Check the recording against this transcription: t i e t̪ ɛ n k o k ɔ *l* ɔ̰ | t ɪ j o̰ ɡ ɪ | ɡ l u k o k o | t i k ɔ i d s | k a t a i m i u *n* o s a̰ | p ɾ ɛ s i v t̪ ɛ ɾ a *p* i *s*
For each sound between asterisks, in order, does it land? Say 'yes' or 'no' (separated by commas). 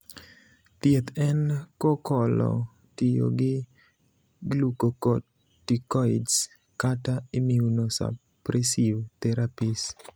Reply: yes, yes, yes, yes